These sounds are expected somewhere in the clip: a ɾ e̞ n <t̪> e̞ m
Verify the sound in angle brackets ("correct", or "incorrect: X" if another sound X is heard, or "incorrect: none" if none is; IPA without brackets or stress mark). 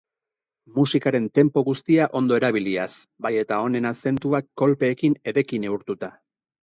correct